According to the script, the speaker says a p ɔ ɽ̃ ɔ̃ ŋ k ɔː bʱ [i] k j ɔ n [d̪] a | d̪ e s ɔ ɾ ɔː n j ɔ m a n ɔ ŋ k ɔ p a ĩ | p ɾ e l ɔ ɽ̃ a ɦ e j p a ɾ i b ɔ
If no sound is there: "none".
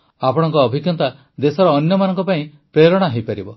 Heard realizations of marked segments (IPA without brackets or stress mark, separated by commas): i, t̪